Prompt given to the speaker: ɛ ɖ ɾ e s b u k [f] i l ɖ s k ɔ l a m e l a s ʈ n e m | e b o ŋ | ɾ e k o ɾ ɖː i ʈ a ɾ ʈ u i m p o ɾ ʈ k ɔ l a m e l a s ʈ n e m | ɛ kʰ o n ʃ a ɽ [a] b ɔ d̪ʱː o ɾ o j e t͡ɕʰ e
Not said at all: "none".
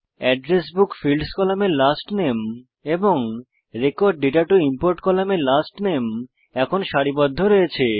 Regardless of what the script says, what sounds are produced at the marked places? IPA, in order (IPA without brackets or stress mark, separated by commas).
f, i